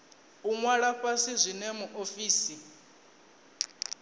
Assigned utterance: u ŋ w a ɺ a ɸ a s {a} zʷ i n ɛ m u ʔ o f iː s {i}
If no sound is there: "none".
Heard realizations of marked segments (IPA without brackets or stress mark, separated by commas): i, i